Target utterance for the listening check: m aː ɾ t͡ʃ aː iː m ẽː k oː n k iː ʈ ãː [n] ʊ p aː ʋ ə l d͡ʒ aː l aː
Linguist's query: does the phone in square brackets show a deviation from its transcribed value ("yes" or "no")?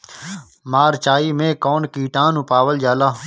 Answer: no